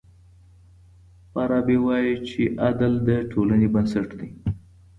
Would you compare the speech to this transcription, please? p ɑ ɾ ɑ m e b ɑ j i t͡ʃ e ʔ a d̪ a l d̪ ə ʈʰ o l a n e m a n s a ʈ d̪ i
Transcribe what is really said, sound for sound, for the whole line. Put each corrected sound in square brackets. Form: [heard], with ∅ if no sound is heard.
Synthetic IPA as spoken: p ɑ ɾ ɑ [b] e [w] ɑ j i t͡ʃ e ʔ a d̪ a l d̪ ə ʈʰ o l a n e [b] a n s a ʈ d̪ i

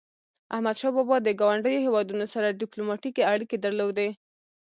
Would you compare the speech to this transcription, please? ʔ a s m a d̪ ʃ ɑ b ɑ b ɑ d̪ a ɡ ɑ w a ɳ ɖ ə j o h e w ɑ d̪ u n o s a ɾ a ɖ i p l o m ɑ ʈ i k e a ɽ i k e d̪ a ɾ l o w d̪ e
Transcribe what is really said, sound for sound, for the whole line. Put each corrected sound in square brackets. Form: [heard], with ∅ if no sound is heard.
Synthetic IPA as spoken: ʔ a [h] m a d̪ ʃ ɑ b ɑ b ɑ d̪ [ə] ɡ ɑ w a ɳ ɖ ə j o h e w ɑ d̪ u n o s a ɾ a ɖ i p l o m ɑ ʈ i k e a ɽ i k e d̪ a ɾ l o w d̪ e

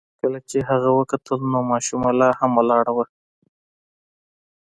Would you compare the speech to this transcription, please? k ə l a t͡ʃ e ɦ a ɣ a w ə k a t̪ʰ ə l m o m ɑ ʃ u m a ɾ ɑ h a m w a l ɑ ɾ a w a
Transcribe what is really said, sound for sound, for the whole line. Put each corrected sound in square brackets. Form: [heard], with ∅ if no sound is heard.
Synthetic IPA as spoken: k ə l a t͡ʃ e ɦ a ɣ a w ə k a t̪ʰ ə l [n] o m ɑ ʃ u m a [l] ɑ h a m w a l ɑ [ɽ] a w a

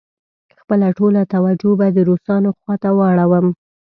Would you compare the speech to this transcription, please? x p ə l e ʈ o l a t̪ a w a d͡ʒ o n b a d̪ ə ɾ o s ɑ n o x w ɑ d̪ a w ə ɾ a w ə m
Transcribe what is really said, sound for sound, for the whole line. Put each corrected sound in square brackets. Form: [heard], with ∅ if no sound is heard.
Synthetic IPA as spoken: x p ə l [a] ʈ o l a t̪ a w a d͡ʒ o [∅] b a d̪ ə ɾ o s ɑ n o x w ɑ [t̪] a w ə [ɽ] a w ə m

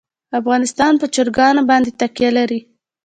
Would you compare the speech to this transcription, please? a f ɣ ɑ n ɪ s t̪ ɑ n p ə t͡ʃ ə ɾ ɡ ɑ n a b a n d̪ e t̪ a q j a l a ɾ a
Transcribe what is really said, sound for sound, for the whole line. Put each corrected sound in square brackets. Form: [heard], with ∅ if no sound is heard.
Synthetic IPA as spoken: a f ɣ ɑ n ɪ s t̪ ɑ n p ə t͡ʃ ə ɾ ɡ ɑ n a b [ɑ] n d̪ e t̪ a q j a l a ɾ [i]

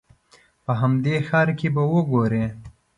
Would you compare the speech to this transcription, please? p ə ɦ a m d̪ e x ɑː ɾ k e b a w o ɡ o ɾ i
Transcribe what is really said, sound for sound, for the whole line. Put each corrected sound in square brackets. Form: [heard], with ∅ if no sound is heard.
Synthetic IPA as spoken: p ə ɦ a m d̪ e x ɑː ɾ k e b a w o ɡ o ɾ [e]

